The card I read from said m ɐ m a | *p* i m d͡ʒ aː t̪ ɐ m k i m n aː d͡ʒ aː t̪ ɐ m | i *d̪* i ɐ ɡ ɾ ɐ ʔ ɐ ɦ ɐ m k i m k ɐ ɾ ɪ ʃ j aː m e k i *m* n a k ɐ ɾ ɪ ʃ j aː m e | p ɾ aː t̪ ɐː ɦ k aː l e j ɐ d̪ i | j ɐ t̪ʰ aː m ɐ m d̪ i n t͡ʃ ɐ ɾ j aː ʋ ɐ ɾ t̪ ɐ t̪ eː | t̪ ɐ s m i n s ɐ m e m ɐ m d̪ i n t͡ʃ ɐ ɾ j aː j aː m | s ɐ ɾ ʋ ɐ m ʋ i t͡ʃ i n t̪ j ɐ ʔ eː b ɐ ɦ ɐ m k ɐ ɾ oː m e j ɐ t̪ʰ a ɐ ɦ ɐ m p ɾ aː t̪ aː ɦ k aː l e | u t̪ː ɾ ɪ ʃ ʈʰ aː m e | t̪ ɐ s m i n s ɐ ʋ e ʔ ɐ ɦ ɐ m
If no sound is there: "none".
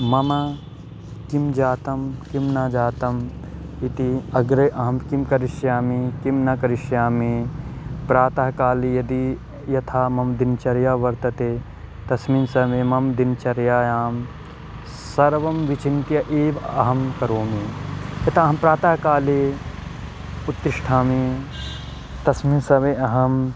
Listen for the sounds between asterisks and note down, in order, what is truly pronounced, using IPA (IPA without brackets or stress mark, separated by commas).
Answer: k, t̪, m